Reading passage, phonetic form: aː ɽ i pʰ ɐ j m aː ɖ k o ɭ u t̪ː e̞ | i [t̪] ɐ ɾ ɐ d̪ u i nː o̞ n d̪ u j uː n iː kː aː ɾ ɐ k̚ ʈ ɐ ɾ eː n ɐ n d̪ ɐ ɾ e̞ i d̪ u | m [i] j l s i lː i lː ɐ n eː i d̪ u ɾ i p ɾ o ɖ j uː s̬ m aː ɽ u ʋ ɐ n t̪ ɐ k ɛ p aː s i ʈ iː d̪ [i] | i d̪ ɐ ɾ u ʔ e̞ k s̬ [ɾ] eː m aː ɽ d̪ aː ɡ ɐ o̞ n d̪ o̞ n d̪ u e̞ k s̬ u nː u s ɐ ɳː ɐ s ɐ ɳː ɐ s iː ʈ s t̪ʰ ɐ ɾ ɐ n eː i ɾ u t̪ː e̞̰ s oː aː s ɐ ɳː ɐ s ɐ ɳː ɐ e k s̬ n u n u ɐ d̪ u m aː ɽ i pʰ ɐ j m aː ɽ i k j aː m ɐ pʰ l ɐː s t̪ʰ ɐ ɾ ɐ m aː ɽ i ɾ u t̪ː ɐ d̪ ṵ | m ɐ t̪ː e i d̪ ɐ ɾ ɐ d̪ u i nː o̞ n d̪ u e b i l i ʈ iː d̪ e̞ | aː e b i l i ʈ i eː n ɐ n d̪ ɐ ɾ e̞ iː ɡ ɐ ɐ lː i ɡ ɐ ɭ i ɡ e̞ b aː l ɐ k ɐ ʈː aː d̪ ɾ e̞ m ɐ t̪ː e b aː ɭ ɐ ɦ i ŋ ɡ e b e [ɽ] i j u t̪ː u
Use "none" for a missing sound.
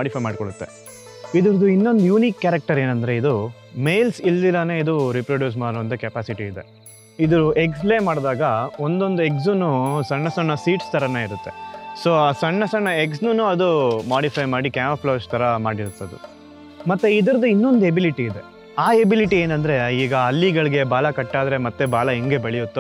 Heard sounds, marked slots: d̪, e, e, l, ɭ

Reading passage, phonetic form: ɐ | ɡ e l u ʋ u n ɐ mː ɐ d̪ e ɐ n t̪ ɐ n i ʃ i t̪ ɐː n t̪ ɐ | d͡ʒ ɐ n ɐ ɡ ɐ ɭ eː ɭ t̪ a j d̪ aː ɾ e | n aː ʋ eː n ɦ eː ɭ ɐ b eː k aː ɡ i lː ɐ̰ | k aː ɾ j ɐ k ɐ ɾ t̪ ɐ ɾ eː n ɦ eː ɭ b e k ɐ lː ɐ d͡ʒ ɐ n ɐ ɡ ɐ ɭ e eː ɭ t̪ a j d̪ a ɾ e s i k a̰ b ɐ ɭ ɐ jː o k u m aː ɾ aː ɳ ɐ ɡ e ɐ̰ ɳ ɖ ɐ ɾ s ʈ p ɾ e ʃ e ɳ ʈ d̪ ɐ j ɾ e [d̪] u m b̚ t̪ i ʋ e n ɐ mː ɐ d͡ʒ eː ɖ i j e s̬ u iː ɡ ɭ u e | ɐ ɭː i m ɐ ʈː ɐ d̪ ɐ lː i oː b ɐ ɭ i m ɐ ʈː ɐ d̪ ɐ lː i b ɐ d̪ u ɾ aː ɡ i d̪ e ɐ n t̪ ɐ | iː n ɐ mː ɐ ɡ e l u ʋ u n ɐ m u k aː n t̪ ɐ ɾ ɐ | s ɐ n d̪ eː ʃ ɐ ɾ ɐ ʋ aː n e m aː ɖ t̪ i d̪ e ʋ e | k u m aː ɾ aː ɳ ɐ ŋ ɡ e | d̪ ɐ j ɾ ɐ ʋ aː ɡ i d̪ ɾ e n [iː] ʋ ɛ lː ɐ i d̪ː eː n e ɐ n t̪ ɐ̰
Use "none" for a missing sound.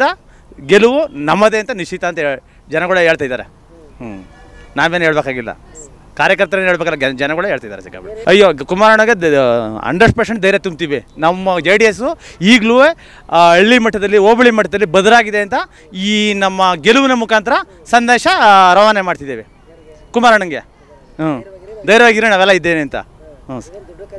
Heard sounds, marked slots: t̪, aː

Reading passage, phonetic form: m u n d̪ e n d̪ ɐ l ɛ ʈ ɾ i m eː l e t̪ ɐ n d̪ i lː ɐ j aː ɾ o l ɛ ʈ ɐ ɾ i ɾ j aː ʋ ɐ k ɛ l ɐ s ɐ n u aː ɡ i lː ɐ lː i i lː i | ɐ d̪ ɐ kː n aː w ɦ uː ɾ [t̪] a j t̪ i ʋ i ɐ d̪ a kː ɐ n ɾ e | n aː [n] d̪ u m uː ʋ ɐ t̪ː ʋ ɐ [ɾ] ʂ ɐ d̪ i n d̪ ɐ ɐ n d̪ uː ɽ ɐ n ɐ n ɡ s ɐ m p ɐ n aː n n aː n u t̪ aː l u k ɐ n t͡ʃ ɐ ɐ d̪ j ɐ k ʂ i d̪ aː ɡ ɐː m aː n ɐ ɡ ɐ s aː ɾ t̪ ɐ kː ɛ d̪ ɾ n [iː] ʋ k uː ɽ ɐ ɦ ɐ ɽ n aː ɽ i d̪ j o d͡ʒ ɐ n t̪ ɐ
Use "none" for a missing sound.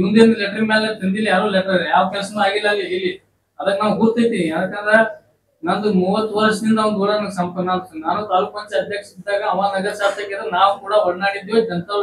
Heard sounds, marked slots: t̪, n, ɾ, aː

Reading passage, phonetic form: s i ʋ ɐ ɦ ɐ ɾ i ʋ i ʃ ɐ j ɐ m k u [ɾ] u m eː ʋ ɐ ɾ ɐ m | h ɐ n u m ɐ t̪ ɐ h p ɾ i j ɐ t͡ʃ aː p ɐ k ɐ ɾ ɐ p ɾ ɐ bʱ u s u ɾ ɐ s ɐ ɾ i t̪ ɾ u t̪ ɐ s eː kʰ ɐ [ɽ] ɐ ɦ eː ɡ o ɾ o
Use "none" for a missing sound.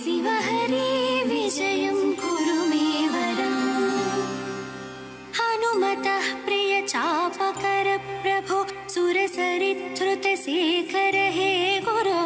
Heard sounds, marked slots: ɾ, ɾ

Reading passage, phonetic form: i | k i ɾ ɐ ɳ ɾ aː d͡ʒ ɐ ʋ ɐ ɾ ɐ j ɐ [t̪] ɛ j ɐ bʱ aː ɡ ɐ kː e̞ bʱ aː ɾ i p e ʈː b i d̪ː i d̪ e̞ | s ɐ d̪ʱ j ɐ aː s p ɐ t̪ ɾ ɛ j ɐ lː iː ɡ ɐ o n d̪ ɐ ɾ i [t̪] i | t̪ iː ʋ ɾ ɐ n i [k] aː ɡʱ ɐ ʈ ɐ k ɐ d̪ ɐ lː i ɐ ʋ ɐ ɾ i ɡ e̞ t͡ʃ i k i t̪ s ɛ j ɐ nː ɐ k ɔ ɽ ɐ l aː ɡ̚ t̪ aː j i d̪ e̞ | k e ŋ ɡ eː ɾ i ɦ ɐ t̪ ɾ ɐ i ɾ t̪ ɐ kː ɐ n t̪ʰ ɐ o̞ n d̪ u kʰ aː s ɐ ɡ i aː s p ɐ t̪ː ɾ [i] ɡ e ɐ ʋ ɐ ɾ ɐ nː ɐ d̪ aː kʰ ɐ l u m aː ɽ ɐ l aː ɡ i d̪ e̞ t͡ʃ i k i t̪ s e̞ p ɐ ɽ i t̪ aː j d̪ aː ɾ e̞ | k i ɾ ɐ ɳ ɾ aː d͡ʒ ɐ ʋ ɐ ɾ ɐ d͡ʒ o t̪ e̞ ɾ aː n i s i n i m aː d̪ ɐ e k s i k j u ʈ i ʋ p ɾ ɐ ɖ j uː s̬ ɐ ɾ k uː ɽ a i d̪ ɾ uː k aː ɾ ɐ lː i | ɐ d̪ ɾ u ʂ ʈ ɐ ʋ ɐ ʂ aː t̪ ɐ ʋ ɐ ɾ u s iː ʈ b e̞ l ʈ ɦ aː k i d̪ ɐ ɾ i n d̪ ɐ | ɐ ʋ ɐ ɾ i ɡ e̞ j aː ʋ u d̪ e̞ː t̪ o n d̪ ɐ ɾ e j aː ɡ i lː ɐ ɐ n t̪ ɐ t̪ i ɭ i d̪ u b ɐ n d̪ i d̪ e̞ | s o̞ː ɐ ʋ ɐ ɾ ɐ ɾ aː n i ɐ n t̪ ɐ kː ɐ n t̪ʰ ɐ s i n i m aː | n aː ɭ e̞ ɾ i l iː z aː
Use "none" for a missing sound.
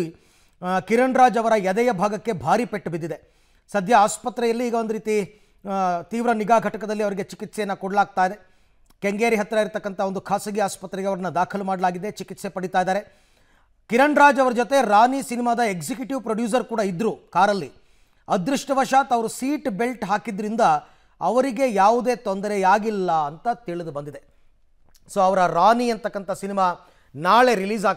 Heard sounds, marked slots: d̪, t̪, ɡ, ɛ

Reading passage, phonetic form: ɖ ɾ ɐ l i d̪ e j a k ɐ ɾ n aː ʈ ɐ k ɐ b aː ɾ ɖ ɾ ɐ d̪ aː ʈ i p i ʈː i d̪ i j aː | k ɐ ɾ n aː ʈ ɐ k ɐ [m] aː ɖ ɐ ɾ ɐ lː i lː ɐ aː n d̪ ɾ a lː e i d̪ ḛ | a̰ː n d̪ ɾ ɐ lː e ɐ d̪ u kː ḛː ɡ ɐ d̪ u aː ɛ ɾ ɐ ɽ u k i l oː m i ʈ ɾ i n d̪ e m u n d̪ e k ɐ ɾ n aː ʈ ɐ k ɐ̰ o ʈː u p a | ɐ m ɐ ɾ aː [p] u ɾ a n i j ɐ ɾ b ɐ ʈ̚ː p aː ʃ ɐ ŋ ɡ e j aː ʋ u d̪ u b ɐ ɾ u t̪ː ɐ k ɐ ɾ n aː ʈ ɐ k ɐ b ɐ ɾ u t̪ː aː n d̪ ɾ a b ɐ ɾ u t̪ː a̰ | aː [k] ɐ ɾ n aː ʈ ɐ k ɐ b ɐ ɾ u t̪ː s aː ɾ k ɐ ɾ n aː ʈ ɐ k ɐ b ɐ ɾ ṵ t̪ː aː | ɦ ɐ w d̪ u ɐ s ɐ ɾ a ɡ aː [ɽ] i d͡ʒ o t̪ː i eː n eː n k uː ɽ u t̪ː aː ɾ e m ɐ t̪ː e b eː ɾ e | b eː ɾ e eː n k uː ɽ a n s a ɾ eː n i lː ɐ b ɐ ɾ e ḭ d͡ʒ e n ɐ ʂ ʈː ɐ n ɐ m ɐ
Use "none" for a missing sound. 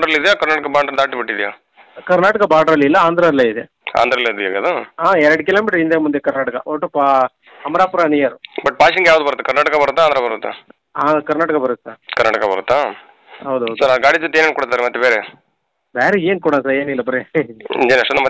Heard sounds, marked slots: b, p, k, ɽ

